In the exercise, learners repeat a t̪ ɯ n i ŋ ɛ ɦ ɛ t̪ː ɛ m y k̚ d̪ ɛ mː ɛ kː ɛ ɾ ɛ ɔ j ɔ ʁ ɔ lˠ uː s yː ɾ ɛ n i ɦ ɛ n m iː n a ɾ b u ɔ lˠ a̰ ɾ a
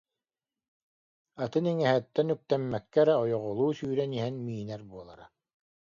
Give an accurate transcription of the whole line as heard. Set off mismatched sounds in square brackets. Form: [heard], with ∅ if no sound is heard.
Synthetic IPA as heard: a t̪ ɯ n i ŋ ɛ ɦ ɛ t̪ː ɛ [n] y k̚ [t̪] ɛ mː ɛ kː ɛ ɾ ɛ ɔ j ɔ ʁ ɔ lˠ uː s yː ɾ ɛ n i ɦ ɛ n m iː n [ɛ] ɾ b u ɔ lˠ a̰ ɾ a